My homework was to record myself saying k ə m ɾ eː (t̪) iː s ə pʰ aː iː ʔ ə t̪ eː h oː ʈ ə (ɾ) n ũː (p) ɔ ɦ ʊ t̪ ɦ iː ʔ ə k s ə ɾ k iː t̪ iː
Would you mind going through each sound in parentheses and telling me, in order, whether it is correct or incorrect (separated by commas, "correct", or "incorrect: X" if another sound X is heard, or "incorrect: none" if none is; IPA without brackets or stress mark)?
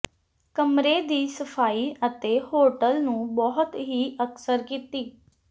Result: incorrect: d̪, incorrect: l, incorrect: b